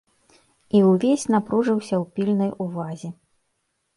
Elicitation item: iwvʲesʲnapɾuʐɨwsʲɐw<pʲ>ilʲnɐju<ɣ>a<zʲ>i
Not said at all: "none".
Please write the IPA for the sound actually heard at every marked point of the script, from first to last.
pʲ, v, zʲ

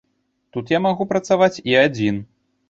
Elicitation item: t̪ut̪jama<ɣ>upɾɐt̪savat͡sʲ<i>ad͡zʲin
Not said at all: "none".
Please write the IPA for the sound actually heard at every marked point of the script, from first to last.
ɣ, i

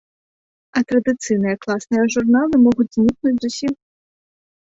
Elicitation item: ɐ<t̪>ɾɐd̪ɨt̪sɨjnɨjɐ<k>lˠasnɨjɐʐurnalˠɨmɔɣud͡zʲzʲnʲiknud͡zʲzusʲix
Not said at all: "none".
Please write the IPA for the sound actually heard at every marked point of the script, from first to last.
t̪, k

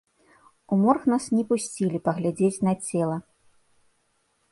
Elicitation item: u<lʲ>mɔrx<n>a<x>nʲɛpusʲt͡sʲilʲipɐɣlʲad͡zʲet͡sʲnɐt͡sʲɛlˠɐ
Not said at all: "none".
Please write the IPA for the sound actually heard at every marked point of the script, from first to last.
none, n, s

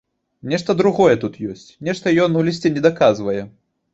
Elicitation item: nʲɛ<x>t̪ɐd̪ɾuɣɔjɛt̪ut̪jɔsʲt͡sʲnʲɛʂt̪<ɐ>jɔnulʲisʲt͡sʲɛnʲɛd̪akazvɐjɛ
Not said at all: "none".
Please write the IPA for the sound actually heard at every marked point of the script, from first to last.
ʂ, ɐ

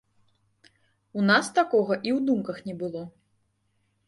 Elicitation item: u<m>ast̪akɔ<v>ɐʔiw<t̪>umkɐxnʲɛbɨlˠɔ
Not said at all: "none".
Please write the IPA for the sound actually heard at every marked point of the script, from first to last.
n, ɣ, d̪

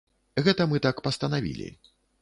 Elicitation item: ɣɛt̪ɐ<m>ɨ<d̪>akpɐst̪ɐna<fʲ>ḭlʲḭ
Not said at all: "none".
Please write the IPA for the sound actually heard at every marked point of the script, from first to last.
m, t̪, vʲ

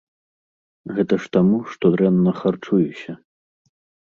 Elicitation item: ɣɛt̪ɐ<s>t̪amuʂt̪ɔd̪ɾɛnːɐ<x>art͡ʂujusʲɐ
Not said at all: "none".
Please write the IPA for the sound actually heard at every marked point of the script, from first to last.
ʂ, x

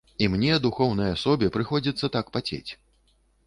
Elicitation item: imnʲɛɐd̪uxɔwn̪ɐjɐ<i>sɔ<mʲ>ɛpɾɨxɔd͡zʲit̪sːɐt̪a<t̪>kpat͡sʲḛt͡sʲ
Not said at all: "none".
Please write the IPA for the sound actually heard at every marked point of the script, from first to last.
a, bʲ, none

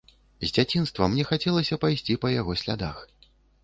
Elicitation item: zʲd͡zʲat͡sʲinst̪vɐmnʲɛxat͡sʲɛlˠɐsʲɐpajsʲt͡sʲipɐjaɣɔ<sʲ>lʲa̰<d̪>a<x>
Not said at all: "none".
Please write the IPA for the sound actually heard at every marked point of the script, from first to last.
sʲ, d̪, x

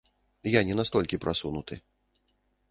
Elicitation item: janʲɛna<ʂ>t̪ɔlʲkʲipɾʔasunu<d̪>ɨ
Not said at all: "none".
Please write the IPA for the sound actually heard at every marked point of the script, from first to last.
s, t̪

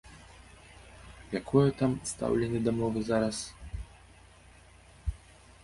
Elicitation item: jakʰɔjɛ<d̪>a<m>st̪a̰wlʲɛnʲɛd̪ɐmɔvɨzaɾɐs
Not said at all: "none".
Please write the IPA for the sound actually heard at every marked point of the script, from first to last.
t̪, m

